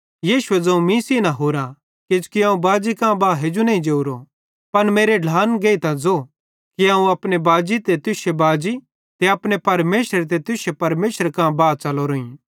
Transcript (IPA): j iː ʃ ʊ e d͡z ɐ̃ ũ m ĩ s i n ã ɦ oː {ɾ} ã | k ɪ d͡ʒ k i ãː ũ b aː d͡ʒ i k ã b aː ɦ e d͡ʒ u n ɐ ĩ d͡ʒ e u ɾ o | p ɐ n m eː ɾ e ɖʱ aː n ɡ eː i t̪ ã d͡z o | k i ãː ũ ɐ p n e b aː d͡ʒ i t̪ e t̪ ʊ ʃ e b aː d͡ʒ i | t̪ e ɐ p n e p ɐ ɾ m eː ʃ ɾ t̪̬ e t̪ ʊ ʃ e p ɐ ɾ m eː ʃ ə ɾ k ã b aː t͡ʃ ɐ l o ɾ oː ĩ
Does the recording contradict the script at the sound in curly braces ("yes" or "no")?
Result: no